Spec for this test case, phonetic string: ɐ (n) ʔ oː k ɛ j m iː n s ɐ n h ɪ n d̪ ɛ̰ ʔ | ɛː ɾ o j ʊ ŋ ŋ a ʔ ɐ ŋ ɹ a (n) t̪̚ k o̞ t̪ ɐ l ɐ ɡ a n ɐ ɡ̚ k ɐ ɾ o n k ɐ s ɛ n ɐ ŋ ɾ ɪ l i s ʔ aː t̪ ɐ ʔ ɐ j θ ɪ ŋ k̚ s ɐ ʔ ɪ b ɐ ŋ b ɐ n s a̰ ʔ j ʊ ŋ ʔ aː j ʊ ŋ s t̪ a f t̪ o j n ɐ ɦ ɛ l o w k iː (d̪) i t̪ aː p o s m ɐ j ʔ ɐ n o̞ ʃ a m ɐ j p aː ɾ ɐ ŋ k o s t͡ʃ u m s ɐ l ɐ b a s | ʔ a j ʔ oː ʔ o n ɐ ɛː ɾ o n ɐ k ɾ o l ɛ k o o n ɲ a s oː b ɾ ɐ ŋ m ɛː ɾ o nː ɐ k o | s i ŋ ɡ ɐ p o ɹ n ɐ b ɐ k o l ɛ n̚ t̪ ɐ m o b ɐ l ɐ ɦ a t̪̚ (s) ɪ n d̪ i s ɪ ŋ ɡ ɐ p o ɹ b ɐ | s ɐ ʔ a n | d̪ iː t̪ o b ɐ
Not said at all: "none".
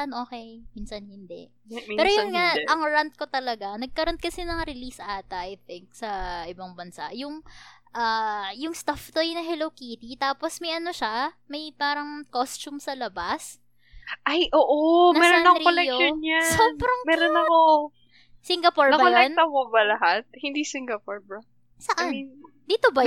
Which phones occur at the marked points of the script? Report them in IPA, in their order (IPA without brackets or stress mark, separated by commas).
n, n, t̪, h